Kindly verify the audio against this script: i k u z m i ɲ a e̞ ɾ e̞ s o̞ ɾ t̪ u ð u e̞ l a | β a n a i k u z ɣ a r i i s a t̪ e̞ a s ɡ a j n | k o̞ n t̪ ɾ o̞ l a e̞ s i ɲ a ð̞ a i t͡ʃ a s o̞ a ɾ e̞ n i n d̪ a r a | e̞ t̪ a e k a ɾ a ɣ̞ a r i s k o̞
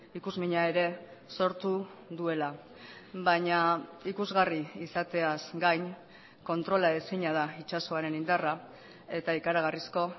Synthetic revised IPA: i k u z m i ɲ a e̞ ɾ e̞ s o̞ ɾ t̪ u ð u e̞ l a | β a ɲ a i k u z ɣ a r i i s a t̪ e̞ a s ɡ a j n | k o̞ n t̪ ɾ o̞ l a e̞ s i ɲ a ð̞ a i t͡ʃ a s o̞ a ɾ e̞ n i n d̪ a r a | e̞ t̪ a i k a ɾ a ɣ̞ a r i s k o̞